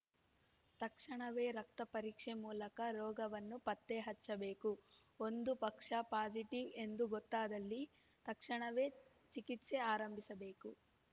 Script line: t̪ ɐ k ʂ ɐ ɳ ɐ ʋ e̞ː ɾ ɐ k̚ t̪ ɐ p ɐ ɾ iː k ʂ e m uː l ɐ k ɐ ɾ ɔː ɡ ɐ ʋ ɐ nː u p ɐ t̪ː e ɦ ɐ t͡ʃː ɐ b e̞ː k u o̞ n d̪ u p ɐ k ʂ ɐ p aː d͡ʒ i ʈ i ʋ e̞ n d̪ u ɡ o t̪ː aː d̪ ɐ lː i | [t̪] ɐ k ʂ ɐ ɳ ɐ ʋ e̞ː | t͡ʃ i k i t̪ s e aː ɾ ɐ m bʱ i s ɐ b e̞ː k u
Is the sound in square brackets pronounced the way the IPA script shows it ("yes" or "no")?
yes